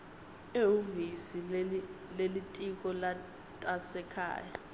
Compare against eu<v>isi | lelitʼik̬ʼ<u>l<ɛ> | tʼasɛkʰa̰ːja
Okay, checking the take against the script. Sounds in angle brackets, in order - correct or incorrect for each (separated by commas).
correct, incorrect, incorrect